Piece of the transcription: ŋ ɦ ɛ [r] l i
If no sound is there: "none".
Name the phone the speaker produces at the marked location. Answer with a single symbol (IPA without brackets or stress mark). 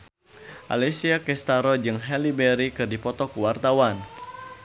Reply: none